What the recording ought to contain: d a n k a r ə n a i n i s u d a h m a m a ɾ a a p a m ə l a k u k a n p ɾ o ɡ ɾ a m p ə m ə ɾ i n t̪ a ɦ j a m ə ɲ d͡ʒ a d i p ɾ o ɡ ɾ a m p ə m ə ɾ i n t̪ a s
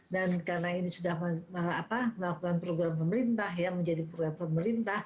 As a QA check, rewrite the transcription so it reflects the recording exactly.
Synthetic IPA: d a n k a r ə n a i n i s u d a h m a m a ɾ a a p a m ə l a k u k a n p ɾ o ɡ ɾ a m p ə m ə ɾ i n t̪ a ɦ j a m ə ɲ d͡ʒ a d i p ɾ o ɡ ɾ a m p ə m ə ɾ i n t̪ a h